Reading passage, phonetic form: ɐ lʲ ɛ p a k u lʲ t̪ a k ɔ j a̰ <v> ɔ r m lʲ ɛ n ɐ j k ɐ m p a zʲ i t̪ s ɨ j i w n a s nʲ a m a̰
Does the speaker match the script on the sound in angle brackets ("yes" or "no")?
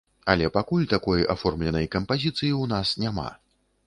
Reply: no